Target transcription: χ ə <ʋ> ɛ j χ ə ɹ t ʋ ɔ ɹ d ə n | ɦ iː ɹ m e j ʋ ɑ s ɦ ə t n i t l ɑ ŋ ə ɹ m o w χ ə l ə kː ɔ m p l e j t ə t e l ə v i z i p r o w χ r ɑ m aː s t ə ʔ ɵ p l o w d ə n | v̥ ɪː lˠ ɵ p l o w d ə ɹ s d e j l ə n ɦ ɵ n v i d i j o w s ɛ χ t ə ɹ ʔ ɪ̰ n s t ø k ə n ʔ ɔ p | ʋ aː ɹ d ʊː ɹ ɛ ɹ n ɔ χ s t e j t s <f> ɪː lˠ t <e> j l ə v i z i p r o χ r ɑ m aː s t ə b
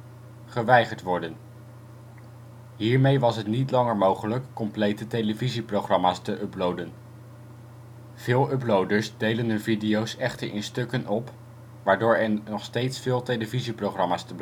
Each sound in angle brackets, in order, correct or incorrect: correct, correct, correct

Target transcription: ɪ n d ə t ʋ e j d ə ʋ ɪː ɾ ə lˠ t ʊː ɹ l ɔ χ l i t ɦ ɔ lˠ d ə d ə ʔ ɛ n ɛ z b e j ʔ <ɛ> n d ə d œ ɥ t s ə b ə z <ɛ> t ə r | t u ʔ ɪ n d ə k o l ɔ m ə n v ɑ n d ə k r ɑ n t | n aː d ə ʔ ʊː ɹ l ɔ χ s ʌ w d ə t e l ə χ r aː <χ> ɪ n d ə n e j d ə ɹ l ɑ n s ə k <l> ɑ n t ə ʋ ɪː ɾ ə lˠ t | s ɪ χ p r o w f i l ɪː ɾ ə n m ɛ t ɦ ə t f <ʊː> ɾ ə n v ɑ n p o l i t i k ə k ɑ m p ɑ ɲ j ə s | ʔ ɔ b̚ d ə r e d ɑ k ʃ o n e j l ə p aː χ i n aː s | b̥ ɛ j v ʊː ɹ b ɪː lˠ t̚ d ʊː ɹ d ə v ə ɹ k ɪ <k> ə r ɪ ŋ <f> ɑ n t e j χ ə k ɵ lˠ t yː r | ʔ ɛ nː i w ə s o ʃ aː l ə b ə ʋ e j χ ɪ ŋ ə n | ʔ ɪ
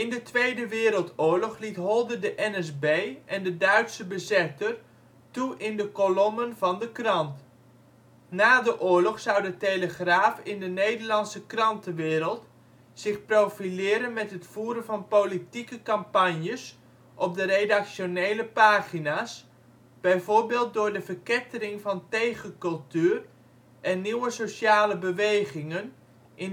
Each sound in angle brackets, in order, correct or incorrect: correct, correct, incorrect: f, incorrect: r, incorrect: uː, incorrect: t, incorrect: v

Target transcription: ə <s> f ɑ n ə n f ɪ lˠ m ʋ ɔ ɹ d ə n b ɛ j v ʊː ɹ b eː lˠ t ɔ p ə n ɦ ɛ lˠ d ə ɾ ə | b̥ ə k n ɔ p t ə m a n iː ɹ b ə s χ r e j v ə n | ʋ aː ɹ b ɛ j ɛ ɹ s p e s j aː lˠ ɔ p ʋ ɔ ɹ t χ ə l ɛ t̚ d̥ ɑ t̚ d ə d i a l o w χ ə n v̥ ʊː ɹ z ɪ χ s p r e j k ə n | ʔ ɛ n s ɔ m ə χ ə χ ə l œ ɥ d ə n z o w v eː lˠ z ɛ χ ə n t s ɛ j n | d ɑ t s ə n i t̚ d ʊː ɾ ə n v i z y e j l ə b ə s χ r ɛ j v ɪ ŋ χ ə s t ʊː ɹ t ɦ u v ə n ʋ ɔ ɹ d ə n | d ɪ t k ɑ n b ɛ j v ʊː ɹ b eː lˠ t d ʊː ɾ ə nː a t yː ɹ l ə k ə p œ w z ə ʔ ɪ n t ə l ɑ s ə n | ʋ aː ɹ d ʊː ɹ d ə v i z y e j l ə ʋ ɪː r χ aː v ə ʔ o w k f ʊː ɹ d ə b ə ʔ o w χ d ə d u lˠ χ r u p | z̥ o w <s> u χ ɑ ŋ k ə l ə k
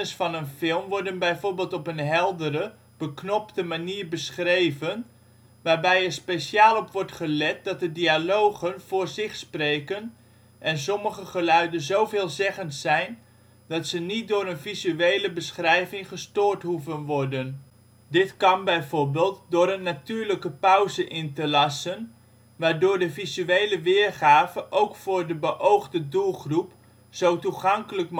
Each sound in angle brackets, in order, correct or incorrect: correct, incorrect: t

